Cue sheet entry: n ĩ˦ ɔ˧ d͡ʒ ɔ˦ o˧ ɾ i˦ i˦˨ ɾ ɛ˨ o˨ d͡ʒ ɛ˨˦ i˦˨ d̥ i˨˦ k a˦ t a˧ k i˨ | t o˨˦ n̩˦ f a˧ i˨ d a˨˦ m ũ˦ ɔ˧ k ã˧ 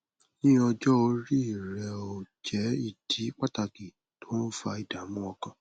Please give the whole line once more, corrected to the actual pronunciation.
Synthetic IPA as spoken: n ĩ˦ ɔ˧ d͡ʒ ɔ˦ o˧ ɾ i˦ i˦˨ ɾ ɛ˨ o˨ d͡ʒ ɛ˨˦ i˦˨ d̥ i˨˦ k͡p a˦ t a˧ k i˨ | t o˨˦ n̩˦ f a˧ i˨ d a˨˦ m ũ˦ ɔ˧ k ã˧